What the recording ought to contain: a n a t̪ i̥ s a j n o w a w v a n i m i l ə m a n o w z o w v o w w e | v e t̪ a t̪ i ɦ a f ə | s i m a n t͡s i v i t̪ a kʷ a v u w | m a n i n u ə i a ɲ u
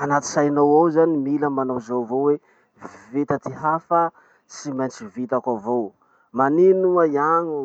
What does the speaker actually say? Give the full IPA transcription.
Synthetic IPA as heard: a n a t̪ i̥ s a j n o w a w z a n i m i l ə m a n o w z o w v o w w e | v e t̪ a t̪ i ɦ a f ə | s i m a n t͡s i v i t̪ a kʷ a v o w | m a n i n u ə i a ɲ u